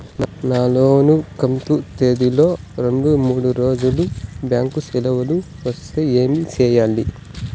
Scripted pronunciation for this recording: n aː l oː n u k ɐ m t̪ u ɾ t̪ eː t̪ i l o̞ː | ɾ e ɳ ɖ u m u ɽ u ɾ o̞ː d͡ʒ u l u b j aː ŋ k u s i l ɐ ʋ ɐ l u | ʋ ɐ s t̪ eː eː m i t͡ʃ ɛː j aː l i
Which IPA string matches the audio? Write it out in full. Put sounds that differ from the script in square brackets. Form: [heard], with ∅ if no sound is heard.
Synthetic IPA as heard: n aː l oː n u k ɐ m t̪ u [∅] t̪ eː [d̪] i l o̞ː | ɾ e ɳ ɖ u m [uː] ɽ u ɾ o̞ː d͡ʒ u l u b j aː ŋ k u s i l ɐ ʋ ɐ l u | ʋ ɐ s t̪ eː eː m i t͡ʃ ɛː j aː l i